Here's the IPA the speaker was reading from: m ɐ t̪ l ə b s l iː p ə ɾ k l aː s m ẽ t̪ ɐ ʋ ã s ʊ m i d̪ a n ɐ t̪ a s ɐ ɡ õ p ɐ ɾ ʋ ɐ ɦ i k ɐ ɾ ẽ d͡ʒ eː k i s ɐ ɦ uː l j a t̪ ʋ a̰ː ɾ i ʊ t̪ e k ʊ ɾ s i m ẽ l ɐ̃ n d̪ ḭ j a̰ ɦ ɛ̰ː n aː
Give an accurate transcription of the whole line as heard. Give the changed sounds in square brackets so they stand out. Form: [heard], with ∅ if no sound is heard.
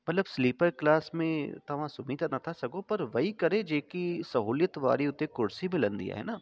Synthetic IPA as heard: m ɐ t̪ l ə b s l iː p ə ɾ k l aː s m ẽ t̪ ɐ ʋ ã s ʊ m i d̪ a n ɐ [t̪ʰ] a s ɐ ɡ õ p ɐ ɾ ʋ ɐ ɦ i k ɐ ɾ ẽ d͡ʒ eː k i s ɐ ɦ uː l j [ə] t̪ ʋ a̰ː ɾ i ʊ t̪ e k ʊ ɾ s i m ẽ l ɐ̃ n d̪ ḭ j a̰ ɦ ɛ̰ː n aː